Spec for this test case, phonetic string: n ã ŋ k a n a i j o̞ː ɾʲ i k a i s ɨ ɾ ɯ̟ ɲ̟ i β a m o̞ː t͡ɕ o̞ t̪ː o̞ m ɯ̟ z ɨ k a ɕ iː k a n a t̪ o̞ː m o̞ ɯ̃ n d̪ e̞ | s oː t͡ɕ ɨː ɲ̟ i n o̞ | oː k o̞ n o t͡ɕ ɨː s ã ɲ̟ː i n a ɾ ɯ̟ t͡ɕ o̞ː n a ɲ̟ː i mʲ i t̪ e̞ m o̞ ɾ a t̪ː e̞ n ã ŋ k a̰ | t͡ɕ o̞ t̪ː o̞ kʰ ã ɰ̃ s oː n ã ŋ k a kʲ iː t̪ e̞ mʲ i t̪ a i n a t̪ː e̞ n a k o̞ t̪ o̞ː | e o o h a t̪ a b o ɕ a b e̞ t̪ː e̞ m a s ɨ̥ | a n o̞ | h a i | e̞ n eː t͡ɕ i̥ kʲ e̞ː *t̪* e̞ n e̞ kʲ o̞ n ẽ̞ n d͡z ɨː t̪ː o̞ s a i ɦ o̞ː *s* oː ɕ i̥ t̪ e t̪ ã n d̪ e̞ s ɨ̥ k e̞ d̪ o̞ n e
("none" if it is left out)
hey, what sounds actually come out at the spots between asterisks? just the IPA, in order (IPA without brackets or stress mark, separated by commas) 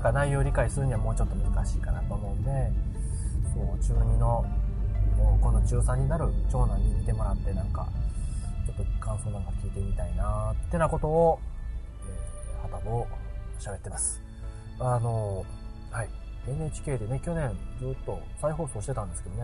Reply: d̪, s